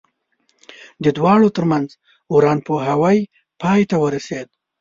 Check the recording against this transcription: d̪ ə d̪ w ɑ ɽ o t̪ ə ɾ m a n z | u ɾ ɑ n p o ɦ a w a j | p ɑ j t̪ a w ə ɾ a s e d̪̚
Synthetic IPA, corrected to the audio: d̪ ə d̪ w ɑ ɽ o t̪ ə ɾ m a n z | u ɾ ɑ n p o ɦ a w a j | p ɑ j t̪ a w ə ɾ a s e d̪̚